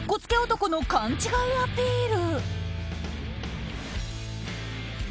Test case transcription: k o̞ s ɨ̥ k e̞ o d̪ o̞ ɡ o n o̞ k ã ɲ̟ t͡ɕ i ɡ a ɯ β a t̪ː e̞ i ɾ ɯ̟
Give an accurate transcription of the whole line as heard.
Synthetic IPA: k o̞ t͡s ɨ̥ k e̞ o t̪ o̞ k o n o̞ k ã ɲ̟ t͡ɕ i ɡ a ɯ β a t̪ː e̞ i ɾ ɯ̟